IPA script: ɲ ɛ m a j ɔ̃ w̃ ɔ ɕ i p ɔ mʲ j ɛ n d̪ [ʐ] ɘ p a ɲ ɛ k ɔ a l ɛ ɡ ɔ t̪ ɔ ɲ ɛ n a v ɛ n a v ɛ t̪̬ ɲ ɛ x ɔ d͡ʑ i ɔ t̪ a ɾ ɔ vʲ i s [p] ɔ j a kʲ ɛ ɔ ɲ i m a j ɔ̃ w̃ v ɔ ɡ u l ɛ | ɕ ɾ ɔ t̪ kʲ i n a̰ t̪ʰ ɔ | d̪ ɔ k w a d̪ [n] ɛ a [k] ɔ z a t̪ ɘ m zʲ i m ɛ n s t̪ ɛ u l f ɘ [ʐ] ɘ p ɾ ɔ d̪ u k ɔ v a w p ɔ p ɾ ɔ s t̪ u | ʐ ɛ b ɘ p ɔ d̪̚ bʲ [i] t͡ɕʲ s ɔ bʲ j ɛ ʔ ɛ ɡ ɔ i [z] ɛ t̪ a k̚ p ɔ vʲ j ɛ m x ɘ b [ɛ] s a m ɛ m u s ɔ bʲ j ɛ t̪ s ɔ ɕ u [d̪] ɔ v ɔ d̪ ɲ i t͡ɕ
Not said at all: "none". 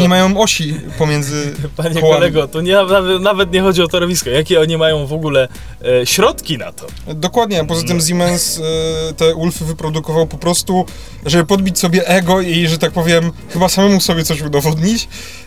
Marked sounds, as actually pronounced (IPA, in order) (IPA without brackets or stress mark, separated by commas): z, k, ɲ, p, v, i, ʐ, a, d̪